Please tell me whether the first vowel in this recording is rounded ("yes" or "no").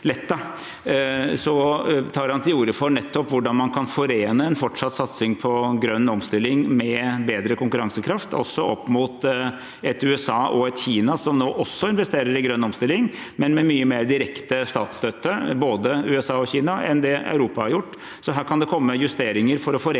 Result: no